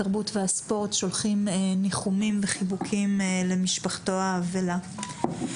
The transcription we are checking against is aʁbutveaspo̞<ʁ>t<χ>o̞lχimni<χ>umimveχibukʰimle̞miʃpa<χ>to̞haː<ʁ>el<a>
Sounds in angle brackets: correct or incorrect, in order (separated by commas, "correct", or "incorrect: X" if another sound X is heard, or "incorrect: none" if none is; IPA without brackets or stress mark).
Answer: correct, incorrect: ʃ, correct, correct, incorrect: v, correct